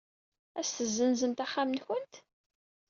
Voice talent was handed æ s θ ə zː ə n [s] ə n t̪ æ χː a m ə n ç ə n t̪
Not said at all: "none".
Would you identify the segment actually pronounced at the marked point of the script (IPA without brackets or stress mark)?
z